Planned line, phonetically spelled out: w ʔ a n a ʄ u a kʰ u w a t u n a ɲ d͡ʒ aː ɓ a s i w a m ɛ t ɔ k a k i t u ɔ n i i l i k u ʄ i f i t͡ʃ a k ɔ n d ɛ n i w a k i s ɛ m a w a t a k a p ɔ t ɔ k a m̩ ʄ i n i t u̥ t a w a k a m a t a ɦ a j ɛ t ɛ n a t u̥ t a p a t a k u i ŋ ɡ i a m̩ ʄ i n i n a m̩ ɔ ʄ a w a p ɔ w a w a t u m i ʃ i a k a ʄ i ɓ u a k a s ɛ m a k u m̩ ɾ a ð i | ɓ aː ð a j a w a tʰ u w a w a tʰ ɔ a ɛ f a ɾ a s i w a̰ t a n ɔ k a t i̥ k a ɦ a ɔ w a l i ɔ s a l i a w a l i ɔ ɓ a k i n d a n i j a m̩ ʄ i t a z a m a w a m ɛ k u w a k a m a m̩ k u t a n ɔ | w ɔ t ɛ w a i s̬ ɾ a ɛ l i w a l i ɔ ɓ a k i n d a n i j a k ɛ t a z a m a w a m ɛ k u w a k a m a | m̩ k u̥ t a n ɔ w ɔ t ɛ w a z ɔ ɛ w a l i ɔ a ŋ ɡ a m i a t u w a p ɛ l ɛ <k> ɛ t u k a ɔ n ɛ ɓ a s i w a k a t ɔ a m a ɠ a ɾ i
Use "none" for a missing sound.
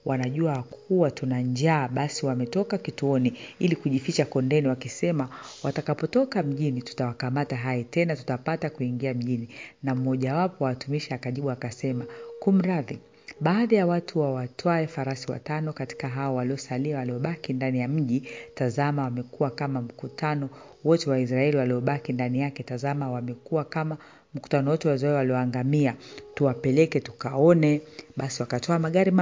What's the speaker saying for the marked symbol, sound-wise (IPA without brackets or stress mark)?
k